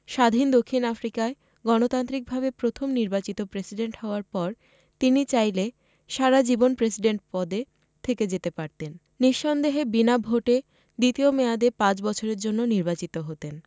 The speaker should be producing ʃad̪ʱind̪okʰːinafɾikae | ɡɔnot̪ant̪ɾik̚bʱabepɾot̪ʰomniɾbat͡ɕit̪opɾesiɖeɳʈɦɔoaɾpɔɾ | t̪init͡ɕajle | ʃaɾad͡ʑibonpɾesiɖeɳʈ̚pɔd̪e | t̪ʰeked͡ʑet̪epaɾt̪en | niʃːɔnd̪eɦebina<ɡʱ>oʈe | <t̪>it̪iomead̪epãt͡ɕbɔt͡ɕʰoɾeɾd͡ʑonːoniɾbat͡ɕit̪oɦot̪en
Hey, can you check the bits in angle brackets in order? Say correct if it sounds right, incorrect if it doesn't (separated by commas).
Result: incorrect, incorrect